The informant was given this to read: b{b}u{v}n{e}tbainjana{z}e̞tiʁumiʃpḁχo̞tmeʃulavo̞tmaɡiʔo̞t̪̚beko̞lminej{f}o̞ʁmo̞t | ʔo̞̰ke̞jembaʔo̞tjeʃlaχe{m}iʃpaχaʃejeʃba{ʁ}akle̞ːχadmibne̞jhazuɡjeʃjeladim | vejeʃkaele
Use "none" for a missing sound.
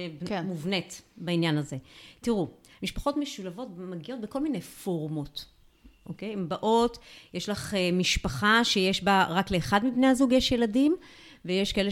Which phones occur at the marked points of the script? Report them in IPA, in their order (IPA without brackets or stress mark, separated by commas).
m, v, e, z, f, m, ʁ